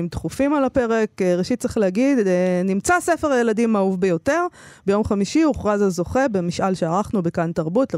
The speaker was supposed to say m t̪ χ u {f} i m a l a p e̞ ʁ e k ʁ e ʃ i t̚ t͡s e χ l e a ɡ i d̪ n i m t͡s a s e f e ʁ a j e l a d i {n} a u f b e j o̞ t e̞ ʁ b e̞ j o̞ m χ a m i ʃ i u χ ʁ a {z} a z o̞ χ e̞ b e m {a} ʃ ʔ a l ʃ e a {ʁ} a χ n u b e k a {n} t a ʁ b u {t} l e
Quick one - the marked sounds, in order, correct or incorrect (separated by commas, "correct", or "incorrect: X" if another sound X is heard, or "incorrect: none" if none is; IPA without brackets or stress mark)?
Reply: correct, incorrect: m, correct, incorrect: i, correct, correct, correct